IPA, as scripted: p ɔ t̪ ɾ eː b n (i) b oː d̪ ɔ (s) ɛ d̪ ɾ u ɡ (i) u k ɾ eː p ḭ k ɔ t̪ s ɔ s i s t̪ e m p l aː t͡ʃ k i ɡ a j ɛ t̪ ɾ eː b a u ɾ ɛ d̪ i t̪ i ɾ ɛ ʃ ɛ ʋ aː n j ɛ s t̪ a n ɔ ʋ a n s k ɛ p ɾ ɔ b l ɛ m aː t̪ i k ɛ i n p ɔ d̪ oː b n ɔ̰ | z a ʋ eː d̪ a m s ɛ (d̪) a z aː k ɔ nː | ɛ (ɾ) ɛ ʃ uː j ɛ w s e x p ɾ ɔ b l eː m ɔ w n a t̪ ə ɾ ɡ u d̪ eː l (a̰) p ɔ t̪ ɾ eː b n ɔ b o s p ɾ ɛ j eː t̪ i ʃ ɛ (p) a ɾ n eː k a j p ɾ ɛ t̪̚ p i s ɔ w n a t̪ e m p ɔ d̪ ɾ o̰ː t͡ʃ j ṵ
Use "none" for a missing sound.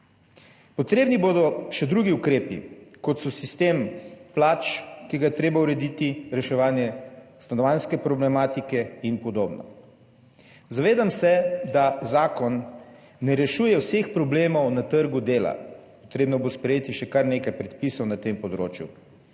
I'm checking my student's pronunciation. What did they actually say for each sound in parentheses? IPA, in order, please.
i, ʃ, i, d̪, ɾ, a̰, k

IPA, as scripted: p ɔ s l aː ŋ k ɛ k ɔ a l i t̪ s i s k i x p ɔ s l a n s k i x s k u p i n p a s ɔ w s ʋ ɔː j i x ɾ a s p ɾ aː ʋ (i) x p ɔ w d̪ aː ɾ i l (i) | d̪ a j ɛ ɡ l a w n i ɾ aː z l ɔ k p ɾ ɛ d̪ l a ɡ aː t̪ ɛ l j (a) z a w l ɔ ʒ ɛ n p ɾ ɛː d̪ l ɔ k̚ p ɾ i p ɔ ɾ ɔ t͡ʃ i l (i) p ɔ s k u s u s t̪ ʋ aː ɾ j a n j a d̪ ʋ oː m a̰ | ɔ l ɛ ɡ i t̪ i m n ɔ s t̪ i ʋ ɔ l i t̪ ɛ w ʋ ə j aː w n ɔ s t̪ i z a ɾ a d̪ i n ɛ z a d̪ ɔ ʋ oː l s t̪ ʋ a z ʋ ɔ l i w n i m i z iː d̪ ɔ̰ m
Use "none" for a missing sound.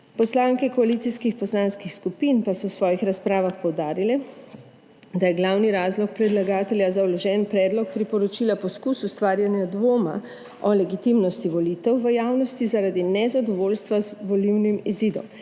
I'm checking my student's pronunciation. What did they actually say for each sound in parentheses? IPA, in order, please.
a, ɛ, a, a

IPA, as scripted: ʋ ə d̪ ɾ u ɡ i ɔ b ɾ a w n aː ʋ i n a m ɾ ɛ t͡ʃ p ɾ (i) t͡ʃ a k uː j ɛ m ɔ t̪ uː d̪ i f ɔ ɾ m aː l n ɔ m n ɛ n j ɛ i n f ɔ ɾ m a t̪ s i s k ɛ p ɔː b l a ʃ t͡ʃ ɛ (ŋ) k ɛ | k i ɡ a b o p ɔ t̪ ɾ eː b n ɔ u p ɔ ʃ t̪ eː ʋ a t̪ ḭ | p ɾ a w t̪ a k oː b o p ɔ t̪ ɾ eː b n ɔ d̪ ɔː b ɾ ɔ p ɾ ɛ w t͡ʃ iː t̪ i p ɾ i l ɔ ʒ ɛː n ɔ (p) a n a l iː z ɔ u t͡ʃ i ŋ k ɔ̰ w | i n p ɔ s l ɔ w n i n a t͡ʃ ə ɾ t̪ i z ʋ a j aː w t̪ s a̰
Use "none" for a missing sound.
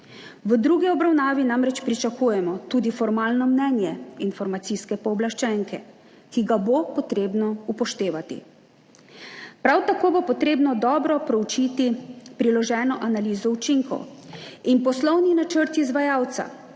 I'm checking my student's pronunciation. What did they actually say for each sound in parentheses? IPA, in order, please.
i, ŋ, ʔ

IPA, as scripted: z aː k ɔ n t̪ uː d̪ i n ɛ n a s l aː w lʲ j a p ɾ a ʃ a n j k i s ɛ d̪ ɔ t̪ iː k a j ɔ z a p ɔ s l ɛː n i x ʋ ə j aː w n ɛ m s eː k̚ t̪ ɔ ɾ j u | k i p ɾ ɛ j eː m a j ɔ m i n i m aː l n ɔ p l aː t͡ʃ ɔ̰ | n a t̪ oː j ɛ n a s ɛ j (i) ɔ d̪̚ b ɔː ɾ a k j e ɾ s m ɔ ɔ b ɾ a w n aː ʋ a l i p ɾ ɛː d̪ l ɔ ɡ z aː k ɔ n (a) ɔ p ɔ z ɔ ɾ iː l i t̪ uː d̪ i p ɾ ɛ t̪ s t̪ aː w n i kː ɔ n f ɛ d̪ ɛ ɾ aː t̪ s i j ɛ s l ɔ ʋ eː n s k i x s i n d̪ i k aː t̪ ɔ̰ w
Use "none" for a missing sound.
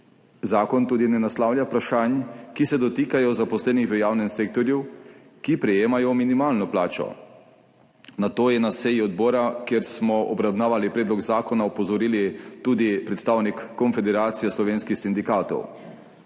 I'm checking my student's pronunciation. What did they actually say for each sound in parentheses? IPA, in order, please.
i, a

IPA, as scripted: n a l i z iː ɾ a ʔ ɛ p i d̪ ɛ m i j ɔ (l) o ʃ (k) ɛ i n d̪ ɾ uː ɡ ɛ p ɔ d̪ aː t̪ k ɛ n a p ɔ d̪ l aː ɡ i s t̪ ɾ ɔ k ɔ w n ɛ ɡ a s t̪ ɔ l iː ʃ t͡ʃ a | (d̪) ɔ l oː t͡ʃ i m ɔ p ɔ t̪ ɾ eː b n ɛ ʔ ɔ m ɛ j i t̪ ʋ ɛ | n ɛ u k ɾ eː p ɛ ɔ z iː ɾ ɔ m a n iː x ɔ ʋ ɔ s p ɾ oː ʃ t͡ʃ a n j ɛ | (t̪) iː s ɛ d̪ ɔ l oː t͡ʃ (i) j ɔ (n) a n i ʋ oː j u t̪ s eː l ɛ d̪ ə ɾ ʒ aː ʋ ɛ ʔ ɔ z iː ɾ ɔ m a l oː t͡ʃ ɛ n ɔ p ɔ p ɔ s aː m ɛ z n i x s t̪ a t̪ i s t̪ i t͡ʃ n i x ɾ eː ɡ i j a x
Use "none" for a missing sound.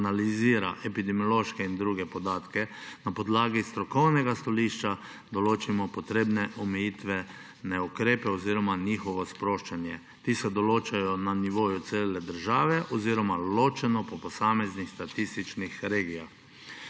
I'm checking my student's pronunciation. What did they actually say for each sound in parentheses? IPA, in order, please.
l, k, d̪, t̪, a, n

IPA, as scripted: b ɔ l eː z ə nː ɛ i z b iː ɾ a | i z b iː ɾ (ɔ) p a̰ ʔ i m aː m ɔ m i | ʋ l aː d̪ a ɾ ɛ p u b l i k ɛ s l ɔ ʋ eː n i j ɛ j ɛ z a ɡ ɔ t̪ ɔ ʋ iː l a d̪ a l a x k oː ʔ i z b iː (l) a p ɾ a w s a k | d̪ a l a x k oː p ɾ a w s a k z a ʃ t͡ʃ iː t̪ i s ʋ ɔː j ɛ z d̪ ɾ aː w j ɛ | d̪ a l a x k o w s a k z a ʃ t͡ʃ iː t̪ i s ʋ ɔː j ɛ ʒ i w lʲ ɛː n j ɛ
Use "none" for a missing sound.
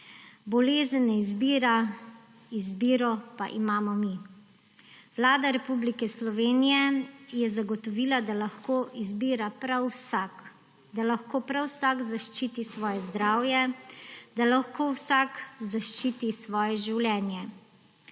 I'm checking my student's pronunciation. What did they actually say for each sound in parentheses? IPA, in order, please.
ɔ, ɾ

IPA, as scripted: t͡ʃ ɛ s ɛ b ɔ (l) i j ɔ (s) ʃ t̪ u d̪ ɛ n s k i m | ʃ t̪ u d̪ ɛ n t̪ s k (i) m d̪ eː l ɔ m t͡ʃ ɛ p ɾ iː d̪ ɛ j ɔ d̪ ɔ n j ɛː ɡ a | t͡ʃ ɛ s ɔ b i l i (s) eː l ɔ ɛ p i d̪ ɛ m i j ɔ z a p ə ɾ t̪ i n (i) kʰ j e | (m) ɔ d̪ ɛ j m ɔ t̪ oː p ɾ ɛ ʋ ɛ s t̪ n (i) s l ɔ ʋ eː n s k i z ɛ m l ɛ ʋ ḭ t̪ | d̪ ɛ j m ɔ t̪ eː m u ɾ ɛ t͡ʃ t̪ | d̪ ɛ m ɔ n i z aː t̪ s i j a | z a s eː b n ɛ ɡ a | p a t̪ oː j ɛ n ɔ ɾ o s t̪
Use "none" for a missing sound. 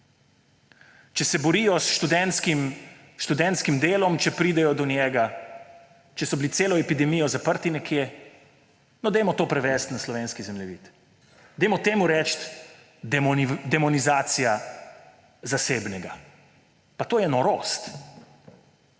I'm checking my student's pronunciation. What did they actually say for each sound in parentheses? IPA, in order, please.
ɾ, s, i, s, ɛ, n, a

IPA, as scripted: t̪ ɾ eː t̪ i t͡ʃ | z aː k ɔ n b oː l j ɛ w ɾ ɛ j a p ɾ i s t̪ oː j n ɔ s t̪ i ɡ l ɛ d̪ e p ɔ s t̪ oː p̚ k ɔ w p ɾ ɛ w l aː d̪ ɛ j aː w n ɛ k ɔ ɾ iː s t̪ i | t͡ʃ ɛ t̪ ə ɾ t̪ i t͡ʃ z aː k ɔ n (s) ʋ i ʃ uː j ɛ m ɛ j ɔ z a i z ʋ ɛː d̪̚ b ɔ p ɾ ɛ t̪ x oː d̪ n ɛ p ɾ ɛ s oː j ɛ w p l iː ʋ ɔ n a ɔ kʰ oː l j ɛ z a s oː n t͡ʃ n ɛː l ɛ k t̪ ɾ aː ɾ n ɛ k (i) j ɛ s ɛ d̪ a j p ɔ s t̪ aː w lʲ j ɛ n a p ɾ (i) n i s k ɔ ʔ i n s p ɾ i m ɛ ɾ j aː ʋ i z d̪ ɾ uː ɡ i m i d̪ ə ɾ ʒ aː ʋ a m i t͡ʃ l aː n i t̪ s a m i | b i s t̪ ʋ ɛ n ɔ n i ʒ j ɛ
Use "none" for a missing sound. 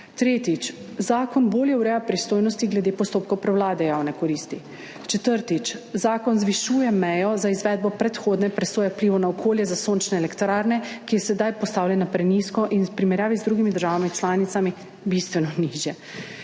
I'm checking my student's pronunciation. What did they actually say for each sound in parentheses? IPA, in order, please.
z, i, ɛ

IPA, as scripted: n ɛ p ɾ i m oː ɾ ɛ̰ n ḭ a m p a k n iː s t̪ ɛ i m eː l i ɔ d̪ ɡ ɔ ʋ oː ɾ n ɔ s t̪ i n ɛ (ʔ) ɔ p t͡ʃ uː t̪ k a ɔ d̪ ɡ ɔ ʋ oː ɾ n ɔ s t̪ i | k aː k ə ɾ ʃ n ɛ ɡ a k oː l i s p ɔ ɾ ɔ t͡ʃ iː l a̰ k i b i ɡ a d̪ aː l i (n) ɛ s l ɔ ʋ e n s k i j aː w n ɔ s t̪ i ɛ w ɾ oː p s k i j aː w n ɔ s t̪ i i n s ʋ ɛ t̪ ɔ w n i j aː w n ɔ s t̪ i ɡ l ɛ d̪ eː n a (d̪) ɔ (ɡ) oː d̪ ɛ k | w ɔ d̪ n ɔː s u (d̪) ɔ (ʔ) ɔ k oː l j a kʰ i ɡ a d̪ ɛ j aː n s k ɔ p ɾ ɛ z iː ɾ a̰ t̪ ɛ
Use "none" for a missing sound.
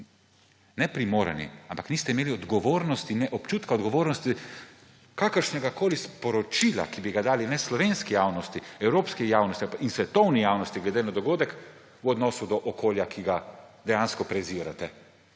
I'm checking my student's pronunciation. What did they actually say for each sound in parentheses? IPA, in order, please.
ʔ, n, d̪, ɡ, d̪, ʔ

